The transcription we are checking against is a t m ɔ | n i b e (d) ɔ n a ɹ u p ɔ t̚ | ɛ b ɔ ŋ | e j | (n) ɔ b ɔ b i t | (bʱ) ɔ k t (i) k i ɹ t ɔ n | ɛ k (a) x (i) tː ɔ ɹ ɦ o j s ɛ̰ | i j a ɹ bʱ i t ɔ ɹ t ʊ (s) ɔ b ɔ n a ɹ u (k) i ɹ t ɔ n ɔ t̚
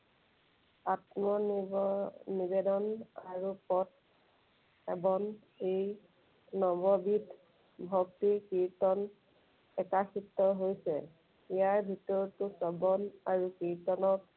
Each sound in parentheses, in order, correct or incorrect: correct, correct, correct, correct, correct, correct, correct, correct

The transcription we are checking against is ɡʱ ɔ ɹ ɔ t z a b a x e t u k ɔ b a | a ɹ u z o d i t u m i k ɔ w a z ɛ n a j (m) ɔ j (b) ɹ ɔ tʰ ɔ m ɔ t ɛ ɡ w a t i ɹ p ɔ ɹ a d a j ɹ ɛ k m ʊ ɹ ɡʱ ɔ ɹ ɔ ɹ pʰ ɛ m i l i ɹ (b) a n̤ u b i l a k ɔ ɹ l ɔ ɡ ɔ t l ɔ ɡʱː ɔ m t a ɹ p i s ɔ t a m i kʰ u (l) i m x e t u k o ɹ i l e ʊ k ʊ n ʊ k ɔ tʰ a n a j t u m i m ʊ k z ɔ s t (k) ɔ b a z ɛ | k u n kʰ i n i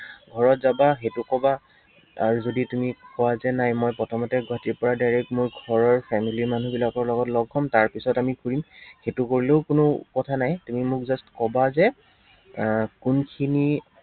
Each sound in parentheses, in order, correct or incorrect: correct, incorrect, incorrect, incorrect, correct

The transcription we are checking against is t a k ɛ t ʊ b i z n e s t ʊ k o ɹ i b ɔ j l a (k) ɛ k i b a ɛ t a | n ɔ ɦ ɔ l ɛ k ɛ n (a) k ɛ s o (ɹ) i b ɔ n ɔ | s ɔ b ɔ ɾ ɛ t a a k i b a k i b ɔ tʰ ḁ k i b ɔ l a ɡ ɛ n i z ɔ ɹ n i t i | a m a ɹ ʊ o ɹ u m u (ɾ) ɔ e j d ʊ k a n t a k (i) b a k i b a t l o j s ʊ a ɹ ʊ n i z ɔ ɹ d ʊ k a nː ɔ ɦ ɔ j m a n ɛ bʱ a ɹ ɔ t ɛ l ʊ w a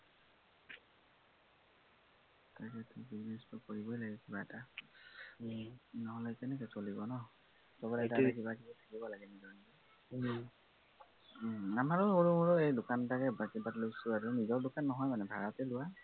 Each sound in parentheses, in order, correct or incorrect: incorrect, incorrect, incorrect, incorrect, incorrect

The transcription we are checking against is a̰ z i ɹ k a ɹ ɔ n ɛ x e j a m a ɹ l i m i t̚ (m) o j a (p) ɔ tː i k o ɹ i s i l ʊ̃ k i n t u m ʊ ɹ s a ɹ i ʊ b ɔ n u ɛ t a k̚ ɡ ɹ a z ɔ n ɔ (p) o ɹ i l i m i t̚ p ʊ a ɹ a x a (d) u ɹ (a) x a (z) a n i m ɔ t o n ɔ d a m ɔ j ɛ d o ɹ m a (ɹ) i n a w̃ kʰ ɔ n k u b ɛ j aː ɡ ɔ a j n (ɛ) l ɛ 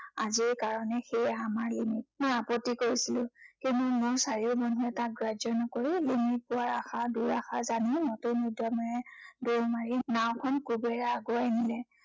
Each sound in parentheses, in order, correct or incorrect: correct, correct, incorrect, correct, correct, correct, correct, incorrect

